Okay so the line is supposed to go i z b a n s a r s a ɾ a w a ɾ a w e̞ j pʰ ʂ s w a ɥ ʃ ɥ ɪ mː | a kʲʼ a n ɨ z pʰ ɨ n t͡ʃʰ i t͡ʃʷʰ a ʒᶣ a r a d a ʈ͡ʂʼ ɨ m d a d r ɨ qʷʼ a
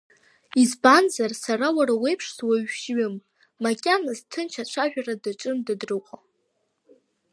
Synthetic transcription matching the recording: i z b a n z a r s a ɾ a w a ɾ a w e̞ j pʰ ʂ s w a ɥ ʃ ɥ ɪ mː | a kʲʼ a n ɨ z tʰ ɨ n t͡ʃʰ a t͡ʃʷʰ a ʒᶣ a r a d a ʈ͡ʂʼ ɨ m d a d r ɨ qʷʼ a